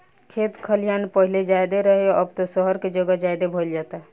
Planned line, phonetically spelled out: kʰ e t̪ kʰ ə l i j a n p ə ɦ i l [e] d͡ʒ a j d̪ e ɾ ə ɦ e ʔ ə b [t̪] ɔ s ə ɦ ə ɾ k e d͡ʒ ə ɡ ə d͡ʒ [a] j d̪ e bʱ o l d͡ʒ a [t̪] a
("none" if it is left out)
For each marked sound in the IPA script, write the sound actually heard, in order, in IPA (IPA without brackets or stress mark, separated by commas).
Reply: e, t̪, a, t̪